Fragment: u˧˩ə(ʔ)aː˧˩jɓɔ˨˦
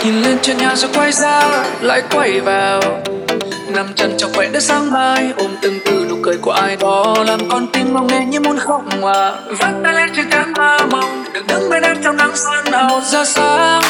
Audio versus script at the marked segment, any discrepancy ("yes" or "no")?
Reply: no